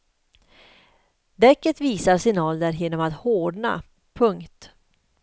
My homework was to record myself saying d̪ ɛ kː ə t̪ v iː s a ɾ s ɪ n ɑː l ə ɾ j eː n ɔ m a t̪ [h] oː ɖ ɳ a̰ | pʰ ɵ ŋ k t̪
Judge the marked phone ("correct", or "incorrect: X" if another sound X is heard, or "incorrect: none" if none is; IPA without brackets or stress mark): correct